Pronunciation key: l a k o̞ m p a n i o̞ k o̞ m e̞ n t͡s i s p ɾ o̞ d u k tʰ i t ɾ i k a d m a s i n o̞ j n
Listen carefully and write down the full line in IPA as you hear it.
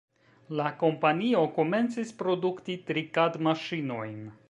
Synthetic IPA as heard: l a k o̞ m p a n i o̞ k o̞ m e̞ n t͡s i s p ɾ o̞ d u k t i t ɾ i k a d m a ʃ i n o̞ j n